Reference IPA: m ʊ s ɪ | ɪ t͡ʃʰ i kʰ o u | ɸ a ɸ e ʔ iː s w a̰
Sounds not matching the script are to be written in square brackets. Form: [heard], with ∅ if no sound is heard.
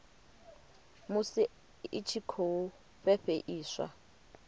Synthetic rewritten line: m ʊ s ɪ | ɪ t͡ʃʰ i kʰ o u | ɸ [ɛ] ɸ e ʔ iː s w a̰